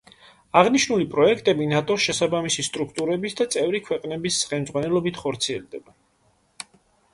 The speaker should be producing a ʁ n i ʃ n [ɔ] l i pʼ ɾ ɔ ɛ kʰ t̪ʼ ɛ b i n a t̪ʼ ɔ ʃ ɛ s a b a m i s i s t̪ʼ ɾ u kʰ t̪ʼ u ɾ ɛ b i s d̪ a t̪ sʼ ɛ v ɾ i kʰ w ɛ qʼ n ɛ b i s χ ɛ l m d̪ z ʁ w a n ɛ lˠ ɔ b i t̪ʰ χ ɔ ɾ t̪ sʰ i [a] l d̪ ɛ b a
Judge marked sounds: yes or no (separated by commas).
no, no